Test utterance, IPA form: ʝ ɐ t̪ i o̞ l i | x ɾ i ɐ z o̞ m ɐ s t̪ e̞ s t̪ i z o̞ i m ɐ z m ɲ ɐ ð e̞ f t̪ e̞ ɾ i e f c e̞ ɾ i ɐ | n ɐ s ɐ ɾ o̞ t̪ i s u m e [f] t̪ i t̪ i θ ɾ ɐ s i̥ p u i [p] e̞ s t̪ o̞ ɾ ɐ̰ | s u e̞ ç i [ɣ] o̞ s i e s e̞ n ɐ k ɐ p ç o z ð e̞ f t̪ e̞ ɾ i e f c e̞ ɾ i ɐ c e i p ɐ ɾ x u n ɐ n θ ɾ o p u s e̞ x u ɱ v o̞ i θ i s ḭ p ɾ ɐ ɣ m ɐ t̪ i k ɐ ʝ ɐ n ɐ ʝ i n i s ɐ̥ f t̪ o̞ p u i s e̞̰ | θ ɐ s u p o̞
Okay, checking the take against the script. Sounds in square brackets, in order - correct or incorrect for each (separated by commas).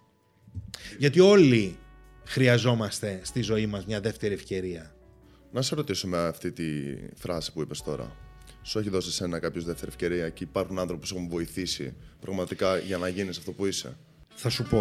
correct, correct, incorrect